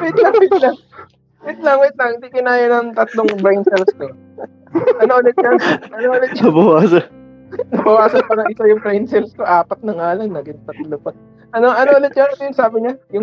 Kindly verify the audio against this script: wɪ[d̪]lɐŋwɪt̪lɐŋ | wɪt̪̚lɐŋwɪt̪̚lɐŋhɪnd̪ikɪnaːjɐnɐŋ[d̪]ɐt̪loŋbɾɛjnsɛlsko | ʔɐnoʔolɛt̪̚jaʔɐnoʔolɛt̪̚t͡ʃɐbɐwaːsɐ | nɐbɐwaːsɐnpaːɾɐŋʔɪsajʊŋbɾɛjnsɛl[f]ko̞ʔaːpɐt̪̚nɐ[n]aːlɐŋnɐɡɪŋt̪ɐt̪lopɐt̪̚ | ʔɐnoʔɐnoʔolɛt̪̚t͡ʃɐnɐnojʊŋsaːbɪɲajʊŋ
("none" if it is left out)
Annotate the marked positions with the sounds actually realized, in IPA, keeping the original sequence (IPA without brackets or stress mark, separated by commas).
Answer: t̪, t̪, s, ŋ